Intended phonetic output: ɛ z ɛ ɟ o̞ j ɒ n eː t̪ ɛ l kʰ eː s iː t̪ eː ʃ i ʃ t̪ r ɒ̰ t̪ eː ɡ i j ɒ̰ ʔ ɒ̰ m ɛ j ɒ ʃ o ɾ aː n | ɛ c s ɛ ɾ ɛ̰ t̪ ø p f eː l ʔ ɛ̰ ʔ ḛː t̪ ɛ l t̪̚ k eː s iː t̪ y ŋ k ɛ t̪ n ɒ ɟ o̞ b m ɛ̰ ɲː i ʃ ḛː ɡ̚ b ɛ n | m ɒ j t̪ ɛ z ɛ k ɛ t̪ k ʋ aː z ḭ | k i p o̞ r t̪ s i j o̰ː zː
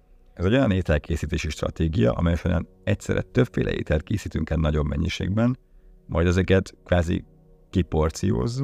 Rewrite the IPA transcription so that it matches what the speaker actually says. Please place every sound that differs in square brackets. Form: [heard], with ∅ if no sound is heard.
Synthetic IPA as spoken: ɛ z ɛ ɟ o̞ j ɒ n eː t̪ ɛ l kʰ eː s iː t̪ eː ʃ i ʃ t̪ r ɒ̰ t̪ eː ɡ i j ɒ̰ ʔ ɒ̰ m ɛ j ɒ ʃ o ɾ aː n | ɛ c s ɛ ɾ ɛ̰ t̪ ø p f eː l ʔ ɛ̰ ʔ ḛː t̪ ɛ l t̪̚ k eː s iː t̪ y ŋ k ɛ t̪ n ɒ ɟ o̞ b m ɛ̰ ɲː i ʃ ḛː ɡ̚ b ɛ n | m ɒ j [d̪] ɛ z ɛ k ɛ t̪ k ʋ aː z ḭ | k i p o̞ r t̪ s i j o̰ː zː